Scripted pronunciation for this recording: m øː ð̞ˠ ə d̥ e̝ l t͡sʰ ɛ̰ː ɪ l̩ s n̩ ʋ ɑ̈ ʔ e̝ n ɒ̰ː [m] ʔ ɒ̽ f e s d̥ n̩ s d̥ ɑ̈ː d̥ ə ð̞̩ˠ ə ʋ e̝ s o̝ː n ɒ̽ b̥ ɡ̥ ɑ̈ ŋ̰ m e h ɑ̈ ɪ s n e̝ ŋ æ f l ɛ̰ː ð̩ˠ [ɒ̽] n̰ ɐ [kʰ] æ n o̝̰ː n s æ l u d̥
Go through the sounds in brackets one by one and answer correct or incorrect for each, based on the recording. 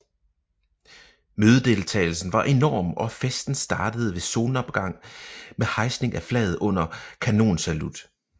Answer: correct, incorrect, correct

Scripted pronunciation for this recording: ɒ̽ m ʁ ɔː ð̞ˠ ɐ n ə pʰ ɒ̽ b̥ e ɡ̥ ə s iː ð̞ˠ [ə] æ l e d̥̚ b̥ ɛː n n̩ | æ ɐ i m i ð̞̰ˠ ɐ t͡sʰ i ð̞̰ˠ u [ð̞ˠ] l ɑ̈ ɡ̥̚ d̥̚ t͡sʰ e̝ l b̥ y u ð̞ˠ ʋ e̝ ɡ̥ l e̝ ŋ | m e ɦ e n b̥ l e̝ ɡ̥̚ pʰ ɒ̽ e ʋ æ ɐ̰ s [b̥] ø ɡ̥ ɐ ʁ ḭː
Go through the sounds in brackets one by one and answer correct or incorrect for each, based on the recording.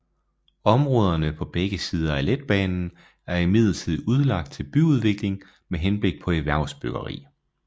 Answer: incorrect, correct, correct

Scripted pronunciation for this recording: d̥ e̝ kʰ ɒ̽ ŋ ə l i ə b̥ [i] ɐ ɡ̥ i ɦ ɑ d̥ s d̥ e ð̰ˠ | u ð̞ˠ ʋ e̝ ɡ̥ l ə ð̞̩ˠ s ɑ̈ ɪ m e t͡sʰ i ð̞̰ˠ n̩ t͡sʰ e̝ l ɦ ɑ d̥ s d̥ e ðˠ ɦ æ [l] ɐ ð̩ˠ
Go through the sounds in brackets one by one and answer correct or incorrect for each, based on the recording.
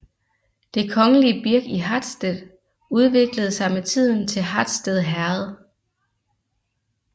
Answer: correct, incorrect

